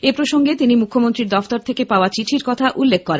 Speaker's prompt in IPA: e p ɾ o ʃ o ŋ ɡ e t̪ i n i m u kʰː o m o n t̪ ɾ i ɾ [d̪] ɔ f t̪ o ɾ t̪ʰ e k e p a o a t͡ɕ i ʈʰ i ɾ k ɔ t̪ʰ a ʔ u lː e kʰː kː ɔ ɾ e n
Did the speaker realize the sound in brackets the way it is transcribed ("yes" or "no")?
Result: yes